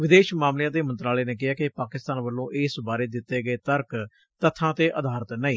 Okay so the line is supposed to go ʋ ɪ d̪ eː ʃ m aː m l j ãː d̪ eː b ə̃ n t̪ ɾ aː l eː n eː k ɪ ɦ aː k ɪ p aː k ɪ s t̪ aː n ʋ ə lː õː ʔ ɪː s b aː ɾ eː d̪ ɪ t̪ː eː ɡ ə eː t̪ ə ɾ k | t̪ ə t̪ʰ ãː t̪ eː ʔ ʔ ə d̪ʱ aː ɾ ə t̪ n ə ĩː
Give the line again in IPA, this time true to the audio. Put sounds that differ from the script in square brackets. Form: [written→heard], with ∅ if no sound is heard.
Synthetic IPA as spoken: ʋ ɪ d̪ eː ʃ m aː m l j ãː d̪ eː [b→m] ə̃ n t̪ ɾ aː l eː n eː k ɪ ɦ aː k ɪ p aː k ɪ s t̪ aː n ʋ ə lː õː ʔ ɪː s b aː ɾ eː d̪ ɪ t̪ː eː ɡ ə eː t̪ ə ɾ k | t̪ ə t̪ʰ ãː t̪ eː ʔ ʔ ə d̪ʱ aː ɾ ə t̪ n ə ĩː